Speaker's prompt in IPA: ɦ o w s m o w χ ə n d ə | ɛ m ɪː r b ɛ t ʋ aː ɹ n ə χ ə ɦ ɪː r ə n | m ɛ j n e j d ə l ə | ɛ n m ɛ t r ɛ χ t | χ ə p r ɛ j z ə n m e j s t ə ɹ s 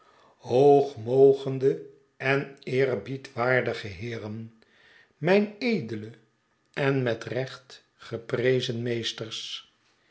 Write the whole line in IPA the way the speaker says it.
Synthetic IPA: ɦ o w χ m o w χ ə n d ə | ɛ n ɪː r b i t ʋ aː ɹ d ə χ ə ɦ ɪː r ə n | m ɛ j n e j d ə l ə | ɛ n m ɛ t r ɛ χ t | χ ə p r e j z ə n m e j s t ə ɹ s